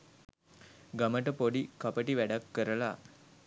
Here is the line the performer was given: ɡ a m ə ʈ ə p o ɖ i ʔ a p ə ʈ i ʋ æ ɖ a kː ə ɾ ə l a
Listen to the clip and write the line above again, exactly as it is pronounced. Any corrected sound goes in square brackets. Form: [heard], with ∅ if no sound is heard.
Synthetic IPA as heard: ɡ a m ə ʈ ə p o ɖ i [k] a p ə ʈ i ʋ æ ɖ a kː ə ɾ ə l a